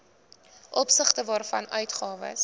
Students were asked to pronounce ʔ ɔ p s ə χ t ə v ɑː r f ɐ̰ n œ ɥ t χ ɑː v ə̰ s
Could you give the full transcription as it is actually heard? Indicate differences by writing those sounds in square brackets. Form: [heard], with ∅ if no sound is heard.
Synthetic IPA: ʔ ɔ p s ə χ t ə v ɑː r f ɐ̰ n œ ɥ t χ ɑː v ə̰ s